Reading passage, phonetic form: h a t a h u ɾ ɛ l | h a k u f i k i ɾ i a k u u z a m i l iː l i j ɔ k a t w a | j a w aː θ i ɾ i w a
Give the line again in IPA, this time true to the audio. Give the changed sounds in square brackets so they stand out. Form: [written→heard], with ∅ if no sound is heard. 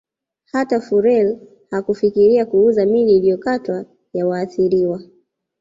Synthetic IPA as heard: h a t a [h→f] u ɾ ɛ l | h a k u f i k i ɾ i a k u u z a m i l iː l i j ɔ k a t w a | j a w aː θ i ɾ i w a

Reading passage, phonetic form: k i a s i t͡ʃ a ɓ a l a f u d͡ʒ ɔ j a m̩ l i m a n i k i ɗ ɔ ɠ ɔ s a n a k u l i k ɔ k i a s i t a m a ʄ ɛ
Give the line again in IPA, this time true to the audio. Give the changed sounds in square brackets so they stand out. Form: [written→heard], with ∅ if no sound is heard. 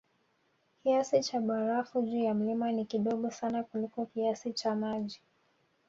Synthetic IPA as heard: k i a s i t͡ʃ a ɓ a [l→ɾ] a f u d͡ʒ [ɔ→u] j a m̩ l i m a n i k i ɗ ɔ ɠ ɔ s a n a k u l i k ɔ k i a s i [t→t͡ʃ] a m a ʄ [ɛ→i]

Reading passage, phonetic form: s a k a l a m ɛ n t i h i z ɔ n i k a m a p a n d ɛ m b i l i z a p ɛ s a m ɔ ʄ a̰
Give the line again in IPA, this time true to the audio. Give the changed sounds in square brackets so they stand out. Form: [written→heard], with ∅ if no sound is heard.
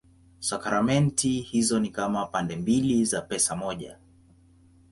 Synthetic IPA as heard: s a k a [l→ɾ] a m ɛ n t i h i z ɔ n i k a m a p a n d ɛ m b i l i z a p ɛ s a m ɔ ʄ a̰

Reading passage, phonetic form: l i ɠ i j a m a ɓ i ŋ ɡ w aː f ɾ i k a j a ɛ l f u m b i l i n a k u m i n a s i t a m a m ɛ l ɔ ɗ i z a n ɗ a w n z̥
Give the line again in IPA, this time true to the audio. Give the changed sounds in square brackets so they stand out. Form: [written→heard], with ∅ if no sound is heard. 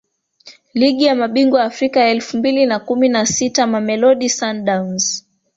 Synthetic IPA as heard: l i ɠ i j a m a ɓ i ŋ ɡ w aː f ɾ i k a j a ɛ l f u m b i l i n a k u m i n a s i t a m a m ɛ l ɔ ɗ i [z→s] a n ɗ a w n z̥

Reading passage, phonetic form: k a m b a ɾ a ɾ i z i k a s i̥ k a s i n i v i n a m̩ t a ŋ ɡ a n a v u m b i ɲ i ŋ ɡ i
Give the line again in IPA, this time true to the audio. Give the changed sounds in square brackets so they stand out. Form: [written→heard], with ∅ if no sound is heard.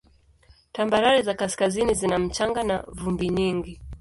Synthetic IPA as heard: [k→t] a m b a ɾ a ɾ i z [i→a] k a s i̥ k a [s→z] i n i [v→z] i n a m̩ [t→t͡ʃ] a ŋ ɡ a n a v u m b i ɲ i ŋ ɡ i

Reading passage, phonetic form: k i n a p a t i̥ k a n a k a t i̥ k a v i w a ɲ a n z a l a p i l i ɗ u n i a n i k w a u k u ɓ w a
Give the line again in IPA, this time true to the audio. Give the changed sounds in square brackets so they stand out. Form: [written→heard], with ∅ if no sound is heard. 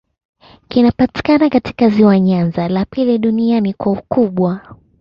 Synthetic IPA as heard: k i n a p a t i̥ k a n a k a t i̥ k a [v→z] i w a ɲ a n z a l a p i l i ɗ u n i a n i k w a u k u ɓ w a

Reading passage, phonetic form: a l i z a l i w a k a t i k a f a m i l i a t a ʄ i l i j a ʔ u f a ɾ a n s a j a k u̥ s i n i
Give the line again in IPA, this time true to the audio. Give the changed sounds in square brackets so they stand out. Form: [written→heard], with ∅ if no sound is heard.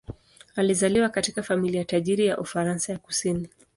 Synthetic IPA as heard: a l i z a l i w a k a t i k a f a m i l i a t a ʄ i [l→ɾ] i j a ʔ u f a ɾ a n s a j a k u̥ s i n i

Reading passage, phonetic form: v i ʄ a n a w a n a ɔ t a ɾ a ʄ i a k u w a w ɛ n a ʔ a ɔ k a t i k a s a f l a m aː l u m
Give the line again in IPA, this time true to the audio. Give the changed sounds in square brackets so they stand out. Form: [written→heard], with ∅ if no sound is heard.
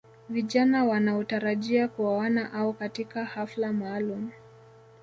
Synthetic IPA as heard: v i ʄ a n a w a n a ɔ t a ɾ a ʄ i a k u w a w [ɛ→a] n a ʔ a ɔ k a t i k a [s→h] a f l a m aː l u m

